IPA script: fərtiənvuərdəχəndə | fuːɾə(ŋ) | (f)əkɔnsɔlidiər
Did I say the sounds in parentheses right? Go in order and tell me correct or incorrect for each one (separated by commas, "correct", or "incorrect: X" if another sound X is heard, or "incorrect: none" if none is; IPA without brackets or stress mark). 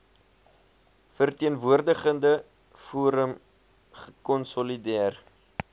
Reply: incorrect: m, incorrect: χ